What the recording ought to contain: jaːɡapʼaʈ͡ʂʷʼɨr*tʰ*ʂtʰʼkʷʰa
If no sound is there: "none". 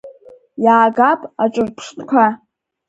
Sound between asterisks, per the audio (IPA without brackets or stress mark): pʰ